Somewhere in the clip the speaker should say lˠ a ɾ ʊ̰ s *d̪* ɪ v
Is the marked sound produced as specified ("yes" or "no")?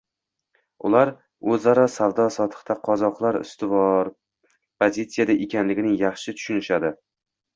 no